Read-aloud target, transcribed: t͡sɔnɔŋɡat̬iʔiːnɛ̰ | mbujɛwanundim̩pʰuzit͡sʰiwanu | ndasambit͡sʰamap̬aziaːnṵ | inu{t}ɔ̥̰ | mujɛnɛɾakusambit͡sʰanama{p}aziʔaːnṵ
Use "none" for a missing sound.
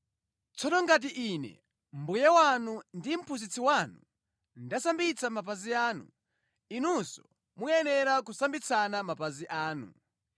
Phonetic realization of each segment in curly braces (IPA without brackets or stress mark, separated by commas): s, p